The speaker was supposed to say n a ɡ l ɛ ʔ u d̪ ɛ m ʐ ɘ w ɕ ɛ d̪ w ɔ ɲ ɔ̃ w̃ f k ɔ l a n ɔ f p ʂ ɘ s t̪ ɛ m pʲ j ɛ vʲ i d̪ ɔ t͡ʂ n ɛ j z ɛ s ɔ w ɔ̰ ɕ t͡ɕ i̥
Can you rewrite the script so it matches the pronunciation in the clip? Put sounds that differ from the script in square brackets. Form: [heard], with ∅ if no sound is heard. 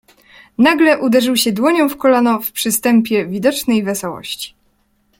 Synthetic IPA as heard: n a ɡ l ɛ ʔ u d̪ ɛ [∅] ʐ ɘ w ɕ ɛ d̪ w ɔ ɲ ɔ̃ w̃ f k ɔ l a n ɔ f p ʂ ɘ s t̪ ɛ m pʲ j ɛ vʲ i d̪ ɔ t͡ʂ n ɛ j [v] ɛ s ɔ w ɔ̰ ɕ t͡ɕ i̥